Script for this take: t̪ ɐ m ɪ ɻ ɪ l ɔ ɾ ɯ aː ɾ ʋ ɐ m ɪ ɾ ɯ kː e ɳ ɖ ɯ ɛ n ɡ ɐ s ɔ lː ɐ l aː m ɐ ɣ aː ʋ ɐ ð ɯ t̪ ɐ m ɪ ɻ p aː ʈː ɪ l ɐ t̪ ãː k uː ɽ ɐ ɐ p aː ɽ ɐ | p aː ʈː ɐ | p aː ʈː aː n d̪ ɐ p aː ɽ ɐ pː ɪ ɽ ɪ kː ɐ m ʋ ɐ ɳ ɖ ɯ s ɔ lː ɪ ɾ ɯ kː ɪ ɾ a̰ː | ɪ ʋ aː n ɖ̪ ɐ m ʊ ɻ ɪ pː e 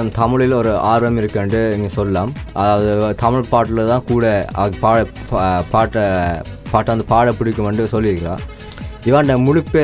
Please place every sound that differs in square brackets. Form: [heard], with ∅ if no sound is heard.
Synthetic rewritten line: t̪ ɐ m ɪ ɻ ɪ l ɔ ɾ ɯ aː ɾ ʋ ɐ m ɪ ɾ ɯ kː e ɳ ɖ ɯ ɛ [ŋ] ɡ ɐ s ɔ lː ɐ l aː m ɐ [ð] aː ʋ ɐ ð ɯ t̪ ɐ m ɪ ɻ p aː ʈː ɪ l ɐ t̪ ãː k uː ɽ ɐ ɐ p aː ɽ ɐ | p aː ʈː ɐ | p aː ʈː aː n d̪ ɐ p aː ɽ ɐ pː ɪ ɽ ɪ kː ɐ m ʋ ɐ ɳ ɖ ɯ s ɔ lː ɪ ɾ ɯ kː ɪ ɾ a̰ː | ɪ ʋ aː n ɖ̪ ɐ m ʊ ɻ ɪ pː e